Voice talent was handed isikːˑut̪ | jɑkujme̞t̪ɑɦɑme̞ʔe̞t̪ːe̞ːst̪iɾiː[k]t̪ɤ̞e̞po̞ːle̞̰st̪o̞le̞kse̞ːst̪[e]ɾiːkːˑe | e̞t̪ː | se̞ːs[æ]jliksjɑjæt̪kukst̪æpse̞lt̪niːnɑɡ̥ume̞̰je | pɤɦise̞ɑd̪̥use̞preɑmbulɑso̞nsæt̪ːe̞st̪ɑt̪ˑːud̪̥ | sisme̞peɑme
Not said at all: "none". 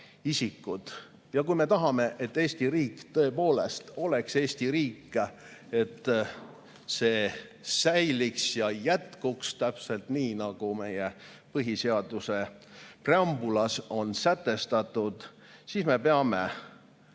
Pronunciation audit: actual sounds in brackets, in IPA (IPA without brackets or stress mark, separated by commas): k, i, æ